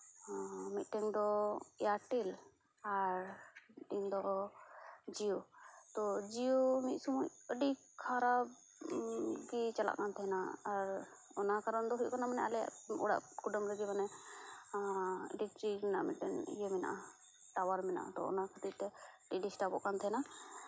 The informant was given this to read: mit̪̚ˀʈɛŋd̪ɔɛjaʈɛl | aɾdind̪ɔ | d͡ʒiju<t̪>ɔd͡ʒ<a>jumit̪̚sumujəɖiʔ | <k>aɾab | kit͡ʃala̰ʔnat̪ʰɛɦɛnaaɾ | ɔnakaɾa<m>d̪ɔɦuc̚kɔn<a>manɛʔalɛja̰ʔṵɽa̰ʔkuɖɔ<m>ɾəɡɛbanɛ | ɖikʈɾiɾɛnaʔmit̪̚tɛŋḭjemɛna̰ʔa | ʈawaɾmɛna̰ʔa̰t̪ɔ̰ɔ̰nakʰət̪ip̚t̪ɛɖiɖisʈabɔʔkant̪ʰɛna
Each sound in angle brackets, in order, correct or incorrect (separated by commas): correct, incorrect, incorrect, incorrect, correct, correct